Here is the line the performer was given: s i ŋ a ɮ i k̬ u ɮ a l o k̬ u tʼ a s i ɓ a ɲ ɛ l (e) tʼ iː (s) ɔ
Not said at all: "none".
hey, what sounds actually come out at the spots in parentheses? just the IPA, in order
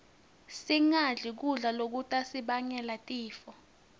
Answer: a, f

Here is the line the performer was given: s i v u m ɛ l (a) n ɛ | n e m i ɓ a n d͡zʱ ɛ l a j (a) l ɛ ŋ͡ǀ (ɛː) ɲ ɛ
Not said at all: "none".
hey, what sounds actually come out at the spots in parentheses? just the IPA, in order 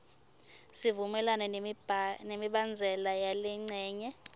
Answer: a, a, ɛː

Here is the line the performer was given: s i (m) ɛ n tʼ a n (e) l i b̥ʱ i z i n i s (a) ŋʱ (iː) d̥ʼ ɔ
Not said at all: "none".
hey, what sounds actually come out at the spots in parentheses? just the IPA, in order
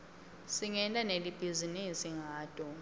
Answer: ŋ, e, i, aː

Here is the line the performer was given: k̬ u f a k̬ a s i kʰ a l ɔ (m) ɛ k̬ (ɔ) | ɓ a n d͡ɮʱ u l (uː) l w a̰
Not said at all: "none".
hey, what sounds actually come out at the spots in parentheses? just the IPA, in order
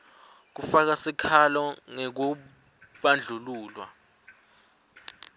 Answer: ŋ, u, uː

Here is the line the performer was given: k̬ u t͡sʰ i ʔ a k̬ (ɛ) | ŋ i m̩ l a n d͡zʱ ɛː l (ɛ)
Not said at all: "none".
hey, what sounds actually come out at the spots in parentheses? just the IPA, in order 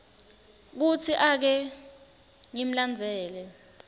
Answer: ɛ, ɛ

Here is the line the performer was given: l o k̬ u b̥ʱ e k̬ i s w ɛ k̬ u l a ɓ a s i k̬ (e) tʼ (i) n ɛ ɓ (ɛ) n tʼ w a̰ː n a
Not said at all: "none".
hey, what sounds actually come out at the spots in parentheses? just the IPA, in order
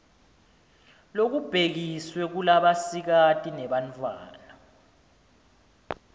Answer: a, i, a

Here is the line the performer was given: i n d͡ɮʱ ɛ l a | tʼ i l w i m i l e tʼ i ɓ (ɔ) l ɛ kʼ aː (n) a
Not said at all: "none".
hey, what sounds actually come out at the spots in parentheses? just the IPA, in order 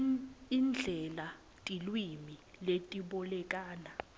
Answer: ɔ, n

